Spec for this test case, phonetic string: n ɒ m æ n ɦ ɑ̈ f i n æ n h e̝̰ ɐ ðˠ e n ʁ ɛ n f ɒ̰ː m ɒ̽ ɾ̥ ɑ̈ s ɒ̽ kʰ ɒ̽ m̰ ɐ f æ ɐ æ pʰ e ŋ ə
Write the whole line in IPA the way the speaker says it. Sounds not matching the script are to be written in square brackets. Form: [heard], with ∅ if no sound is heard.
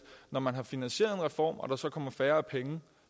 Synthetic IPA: n ɒ m æ n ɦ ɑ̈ f i n æ n [ɕ] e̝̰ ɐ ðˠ e n ʁ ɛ [∅] f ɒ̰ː m ɒ̽ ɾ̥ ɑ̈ s ɒ̽ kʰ ɒ̽ m̰ ɐ f [æː] ɐ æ pʰ e ŋ ə

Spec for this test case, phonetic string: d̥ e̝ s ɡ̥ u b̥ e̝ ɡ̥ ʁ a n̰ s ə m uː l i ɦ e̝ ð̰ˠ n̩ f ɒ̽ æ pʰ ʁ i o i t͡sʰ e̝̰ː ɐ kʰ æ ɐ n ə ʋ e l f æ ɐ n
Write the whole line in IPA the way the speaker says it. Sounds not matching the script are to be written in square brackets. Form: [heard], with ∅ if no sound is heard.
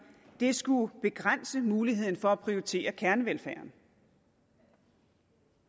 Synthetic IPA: d̥ e̝ s ɡ̥ u b̥ e̝ ɡ̥ ʁ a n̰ s ə m uː l i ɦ e̝ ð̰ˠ n̩ f ɒ̽ æ pʰ ʁ i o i t͡sʰ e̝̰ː ɐ kʰ æ ɐ n ə ʋ e l f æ ɐ n

